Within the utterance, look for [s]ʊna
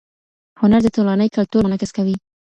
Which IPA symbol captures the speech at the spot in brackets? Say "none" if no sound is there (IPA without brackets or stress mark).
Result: h